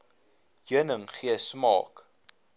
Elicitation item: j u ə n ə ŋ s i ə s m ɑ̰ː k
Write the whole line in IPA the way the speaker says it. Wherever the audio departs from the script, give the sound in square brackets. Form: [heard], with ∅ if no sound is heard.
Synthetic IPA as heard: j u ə n ə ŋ [χ] i ə s m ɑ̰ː k